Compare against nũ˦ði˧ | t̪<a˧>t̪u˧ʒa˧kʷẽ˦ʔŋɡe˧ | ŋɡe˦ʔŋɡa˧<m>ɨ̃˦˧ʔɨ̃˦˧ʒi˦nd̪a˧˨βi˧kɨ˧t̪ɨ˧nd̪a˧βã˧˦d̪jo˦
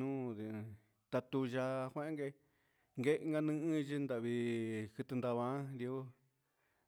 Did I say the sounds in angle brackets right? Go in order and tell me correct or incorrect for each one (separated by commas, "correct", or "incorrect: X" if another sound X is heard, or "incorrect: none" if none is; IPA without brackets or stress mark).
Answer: correct, incorrect: n